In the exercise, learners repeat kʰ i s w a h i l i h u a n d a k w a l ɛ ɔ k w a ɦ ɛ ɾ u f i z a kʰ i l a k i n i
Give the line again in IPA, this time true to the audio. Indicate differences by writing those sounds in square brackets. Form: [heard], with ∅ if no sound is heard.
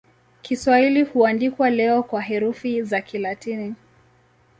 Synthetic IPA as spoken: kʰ i s w a h i l i h u a n d [i] k w a l ɛ ɔ k w a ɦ ɛ ɾ u f i z a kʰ i l a [t] i n i